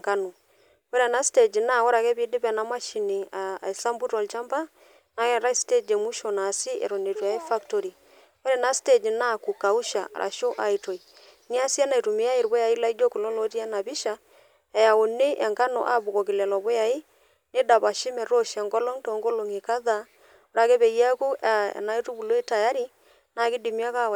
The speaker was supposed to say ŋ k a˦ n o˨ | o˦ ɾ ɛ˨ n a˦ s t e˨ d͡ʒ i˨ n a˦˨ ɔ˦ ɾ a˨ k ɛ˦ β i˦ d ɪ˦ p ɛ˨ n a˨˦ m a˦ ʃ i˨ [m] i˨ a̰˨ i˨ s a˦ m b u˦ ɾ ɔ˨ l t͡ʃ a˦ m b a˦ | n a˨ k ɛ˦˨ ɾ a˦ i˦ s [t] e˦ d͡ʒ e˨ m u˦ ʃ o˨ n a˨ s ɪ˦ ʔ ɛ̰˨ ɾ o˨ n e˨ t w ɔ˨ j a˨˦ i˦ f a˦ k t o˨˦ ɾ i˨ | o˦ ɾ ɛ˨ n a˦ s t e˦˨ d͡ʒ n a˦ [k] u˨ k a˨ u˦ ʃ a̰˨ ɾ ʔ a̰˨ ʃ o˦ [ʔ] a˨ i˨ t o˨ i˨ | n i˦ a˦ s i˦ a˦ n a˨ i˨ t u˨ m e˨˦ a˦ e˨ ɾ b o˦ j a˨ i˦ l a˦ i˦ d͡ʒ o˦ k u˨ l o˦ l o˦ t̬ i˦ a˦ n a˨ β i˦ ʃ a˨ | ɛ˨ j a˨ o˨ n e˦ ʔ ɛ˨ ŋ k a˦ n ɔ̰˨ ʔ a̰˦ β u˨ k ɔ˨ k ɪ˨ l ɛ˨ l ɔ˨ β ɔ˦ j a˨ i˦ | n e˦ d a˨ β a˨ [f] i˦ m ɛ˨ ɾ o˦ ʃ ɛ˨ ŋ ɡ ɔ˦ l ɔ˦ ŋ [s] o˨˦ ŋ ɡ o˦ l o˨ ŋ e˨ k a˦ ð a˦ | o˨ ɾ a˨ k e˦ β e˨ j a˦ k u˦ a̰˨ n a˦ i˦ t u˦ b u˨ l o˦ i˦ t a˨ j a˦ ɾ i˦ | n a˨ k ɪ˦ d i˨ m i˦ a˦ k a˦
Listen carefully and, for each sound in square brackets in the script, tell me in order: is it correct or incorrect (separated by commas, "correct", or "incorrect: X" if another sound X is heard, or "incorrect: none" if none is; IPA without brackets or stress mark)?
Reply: incorrect: n, correct, correct, correct, incorrect: ʃ, incorrect: t